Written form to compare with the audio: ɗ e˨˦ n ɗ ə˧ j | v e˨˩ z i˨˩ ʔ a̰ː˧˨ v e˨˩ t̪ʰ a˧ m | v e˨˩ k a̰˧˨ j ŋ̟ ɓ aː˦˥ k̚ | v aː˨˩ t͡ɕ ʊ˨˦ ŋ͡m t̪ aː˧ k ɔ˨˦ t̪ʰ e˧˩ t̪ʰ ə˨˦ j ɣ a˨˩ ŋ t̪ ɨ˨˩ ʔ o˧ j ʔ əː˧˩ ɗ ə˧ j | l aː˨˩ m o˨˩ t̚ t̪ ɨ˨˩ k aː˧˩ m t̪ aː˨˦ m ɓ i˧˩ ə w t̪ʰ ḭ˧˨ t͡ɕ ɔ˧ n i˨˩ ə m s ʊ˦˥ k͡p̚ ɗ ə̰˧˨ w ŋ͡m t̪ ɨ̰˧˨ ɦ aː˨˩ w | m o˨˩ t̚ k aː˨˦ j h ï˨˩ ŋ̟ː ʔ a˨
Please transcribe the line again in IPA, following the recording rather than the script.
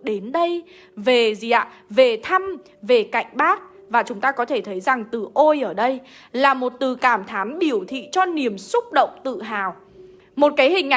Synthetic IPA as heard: ɗ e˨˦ n ɗ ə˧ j | v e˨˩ z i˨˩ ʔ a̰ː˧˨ v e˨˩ t̪ʰ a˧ m | v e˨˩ k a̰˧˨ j ŋ̟ ɓ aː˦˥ k̚ | v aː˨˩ t͡ɕ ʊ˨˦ ŋ͡m t̪ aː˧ k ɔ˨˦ t̪ʰ e˧˩ t̪ʰ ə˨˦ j z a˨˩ ŋ t̪ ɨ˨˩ ʔ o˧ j ʔ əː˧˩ ɗ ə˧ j | l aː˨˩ m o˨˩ t̚ t̪ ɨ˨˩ k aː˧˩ m t̪ʰ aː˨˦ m ɓ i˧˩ ə w t̪ʰ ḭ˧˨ t͡ɕ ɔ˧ n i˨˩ ə m s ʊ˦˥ k͡p̚ ɗ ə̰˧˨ w ŋ͡m t̪ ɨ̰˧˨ ɦ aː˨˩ w | m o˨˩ t̚ k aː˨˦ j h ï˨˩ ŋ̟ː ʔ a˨